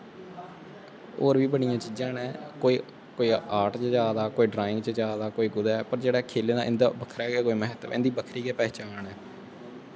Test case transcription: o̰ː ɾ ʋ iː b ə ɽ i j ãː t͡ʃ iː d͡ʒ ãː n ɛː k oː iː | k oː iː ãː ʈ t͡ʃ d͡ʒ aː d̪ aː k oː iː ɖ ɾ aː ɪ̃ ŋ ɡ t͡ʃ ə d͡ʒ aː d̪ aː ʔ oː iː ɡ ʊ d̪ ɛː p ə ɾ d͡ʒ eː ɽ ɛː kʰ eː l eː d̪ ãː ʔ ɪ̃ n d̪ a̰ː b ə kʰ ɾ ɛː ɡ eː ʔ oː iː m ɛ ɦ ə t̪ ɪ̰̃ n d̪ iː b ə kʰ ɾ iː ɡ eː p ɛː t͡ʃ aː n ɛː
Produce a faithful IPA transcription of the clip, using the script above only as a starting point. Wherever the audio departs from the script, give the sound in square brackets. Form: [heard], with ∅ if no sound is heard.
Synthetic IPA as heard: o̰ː ɾ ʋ iː b ə ɽ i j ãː t͡ʃ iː d͡ʒ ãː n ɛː k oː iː | k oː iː [aː] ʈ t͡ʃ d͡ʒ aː d̪ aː k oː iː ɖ ɾ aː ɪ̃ ŋ ɡ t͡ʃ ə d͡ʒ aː d̪ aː [k] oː iː ɡ ʊ d̪ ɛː p ə ɾ d͡ʒ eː ɽ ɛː kʰ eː l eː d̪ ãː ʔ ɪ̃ n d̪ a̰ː b ə kʰ ɾ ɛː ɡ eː [k] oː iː m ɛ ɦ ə t̪ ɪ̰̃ n d̪ iː b ə kʰ ɾ iː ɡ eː p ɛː t͡ʃ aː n ɛː

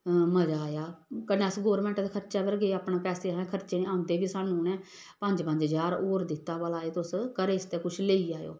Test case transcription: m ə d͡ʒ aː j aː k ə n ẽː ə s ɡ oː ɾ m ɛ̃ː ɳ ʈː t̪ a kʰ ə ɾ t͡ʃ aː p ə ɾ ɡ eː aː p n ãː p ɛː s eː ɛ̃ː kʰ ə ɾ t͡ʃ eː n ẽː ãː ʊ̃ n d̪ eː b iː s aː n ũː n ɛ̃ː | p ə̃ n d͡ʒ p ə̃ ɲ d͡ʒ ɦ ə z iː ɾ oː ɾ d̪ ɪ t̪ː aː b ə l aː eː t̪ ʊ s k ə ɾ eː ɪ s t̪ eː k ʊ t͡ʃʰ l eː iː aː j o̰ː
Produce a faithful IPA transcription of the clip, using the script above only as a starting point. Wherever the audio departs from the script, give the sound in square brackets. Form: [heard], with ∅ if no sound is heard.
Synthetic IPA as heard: m ə d͡ʒ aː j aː k ə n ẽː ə s ɡ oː ɾ m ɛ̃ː ɳ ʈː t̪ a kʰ ə ɾ t͡ʃ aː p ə ɾ ɡ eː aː p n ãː p ɛː s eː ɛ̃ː kʰ ə ɾ t͡ʃ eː n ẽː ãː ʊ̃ n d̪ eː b iː s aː n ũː n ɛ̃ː | p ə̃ [ɲ] d͡ʒ p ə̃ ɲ d͡ʒ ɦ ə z [aː] ɾ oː ɾ d̪ ɪ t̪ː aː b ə l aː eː t̪ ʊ s k ə ɾ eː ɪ s t̪ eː k ʊ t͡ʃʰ l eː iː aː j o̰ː

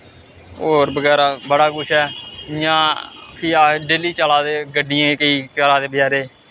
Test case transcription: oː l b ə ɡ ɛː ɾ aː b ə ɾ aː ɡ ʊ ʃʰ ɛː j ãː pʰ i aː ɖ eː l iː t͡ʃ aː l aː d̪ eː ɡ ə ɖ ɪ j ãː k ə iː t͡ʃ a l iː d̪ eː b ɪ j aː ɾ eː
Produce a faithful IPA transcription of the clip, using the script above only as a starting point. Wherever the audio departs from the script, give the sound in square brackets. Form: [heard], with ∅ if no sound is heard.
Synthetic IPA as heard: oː [ɾ] b ə ɡ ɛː ɾ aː b ə [ɽ] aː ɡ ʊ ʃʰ ɛː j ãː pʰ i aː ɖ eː l iː t͡ʃ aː l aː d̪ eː ɡ ə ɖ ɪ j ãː k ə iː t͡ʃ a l [aː] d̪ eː b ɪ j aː ɾ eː

